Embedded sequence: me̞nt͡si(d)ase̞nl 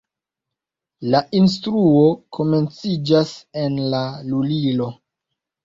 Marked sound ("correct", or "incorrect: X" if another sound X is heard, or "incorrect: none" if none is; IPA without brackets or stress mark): incorrect: d͡ʒ